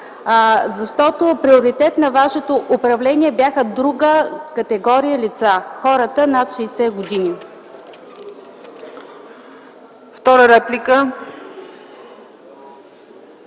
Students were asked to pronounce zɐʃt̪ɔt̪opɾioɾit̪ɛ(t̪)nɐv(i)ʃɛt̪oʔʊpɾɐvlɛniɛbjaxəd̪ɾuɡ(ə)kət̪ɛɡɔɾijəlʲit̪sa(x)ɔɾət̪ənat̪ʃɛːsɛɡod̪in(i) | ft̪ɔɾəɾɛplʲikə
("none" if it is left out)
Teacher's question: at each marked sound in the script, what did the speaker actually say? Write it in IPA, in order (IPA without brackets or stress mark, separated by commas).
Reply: t̪, a, ə, x, i